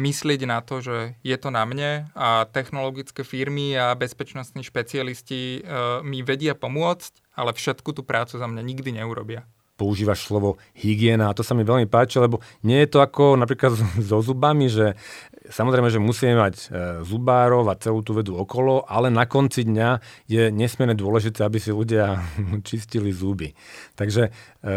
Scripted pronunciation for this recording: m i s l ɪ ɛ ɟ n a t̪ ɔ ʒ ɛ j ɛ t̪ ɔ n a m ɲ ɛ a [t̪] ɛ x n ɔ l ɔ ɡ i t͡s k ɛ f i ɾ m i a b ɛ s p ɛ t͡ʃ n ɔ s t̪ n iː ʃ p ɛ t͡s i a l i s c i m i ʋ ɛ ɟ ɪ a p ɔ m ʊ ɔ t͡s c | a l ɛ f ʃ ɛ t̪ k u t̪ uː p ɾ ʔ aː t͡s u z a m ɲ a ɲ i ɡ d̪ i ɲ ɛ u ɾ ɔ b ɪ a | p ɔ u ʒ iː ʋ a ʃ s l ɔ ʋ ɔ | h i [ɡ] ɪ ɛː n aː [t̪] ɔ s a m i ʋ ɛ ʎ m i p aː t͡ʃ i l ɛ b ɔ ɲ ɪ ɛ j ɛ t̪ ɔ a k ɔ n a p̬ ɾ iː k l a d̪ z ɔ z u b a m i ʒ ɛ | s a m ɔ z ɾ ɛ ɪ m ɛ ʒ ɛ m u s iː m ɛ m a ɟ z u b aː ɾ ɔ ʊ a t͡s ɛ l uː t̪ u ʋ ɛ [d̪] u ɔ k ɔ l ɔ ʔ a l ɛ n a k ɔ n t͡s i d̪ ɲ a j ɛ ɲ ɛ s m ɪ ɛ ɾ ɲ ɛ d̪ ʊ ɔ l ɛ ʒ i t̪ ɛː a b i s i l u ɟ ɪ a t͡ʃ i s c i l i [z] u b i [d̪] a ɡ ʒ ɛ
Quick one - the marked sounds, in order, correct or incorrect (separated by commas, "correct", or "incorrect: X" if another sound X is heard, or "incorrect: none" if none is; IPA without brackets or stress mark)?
correct, correct, correct, correct, correct, incorrect: t̪